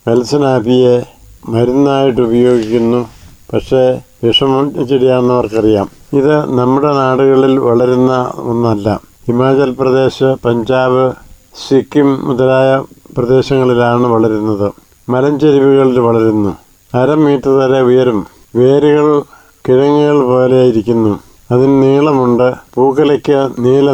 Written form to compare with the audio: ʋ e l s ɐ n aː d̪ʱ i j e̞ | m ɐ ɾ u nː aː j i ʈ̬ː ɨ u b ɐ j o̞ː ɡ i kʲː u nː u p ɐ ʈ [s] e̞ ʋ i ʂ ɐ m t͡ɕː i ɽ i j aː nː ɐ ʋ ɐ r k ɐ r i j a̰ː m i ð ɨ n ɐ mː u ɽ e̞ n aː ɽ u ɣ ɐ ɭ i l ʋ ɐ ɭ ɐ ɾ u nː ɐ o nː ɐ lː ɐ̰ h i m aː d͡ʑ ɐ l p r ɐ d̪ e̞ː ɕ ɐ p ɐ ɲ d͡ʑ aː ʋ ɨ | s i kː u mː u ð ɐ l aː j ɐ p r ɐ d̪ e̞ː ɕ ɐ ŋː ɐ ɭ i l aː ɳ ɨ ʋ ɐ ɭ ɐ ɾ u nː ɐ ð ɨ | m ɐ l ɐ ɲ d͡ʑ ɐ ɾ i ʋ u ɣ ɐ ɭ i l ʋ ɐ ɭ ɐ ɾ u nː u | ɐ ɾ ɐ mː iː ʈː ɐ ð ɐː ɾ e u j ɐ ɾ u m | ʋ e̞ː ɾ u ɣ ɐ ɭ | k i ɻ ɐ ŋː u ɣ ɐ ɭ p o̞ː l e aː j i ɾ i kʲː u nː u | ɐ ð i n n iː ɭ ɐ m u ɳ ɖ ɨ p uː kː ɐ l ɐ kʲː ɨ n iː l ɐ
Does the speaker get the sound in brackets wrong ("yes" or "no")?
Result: yes